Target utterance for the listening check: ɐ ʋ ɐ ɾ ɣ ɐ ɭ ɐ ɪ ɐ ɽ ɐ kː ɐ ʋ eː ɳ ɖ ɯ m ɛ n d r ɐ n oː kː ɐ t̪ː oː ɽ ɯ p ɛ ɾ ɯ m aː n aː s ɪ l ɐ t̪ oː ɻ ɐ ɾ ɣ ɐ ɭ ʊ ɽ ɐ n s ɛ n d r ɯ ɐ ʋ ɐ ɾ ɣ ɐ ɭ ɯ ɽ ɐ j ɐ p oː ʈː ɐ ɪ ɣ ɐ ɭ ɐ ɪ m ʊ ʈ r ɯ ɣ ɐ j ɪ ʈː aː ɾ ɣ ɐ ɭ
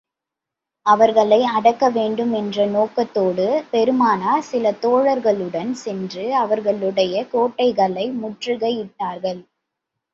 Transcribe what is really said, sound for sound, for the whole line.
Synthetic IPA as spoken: ɐ ʋ ɐ ɾ ɣ ɐ ɭ ɐ ɪ ɐ ɽ ɐ kː ɐ ʋ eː ɳ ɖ ɯ m ɛ n d r ɐ n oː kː ɐ t̪ː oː ɽ ɯ p ɛ ɾ ɯ m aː n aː s ɪ l ɐ t̪ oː ɻ ɐ ɾ ɣ ɐ ɭ ɯ ɽ ɐ n s ɛ n d r ɯ ɐ ʋ ɐ ɾ ɣ ɐ ɭ ɯ ɽ ɐ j ɐ k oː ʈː ɐ ɪ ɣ ɐ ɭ ɐ ɪ m ʊ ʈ r ɯ ɣ ɐ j ɪ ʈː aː ɾ ɣ ɐ ɭ